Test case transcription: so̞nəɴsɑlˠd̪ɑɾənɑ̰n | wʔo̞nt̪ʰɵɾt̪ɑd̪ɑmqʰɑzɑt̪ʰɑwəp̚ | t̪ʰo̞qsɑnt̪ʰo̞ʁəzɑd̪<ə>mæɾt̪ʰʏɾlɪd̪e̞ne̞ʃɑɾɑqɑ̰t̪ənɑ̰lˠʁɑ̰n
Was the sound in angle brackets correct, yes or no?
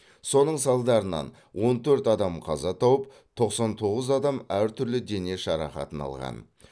no